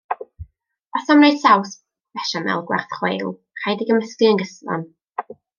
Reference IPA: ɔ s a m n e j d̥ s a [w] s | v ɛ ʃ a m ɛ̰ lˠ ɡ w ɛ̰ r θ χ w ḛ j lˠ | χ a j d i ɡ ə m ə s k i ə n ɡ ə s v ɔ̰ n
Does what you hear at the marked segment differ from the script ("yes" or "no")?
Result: no